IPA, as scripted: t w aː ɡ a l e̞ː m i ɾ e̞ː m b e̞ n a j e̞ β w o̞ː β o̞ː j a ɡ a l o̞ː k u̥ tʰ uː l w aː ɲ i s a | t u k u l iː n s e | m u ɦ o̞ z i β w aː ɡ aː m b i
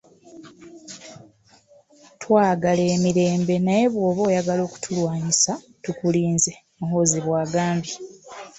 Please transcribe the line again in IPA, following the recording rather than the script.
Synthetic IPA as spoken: t w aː ɡ a l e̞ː m i ɾ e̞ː m b e̞ n a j e̞ β w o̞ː β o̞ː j a ɡ a l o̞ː k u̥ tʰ u l w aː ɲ i s a | t u k u l iː n z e | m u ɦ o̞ z i β w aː ɡ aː m b i